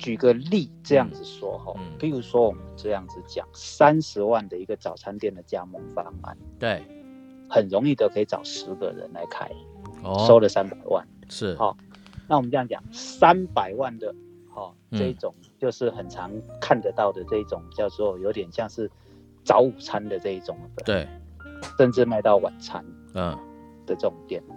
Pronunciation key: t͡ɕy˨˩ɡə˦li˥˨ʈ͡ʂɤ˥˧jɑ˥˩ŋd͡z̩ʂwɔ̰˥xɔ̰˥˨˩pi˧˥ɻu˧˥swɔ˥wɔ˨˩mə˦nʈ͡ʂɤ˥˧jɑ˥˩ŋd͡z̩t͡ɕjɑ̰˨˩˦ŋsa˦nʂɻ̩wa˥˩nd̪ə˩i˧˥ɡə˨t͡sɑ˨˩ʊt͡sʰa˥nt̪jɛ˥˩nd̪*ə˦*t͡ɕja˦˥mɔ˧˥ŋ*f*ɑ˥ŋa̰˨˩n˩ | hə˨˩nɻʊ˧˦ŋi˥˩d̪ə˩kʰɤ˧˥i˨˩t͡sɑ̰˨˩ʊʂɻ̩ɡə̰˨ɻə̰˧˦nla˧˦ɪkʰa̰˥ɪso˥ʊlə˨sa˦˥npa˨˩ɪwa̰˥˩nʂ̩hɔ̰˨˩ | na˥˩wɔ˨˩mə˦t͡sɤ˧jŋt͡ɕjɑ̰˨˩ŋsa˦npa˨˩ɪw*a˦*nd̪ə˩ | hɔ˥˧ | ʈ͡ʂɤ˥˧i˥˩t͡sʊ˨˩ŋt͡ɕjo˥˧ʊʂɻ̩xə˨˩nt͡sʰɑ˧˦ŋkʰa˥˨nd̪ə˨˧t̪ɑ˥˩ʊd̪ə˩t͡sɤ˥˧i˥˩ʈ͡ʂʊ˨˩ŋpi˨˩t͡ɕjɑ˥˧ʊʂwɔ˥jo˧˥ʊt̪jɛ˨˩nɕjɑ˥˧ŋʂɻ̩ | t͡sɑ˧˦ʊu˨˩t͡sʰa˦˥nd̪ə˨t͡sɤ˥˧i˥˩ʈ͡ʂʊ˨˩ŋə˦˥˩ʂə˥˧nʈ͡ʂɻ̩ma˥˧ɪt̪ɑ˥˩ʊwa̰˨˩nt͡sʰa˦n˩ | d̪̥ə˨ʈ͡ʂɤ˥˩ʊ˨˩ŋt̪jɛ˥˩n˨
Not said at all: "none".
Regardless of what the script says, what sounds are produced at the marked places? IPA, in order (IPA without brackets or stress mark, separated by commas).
ə˩, f, a˥˩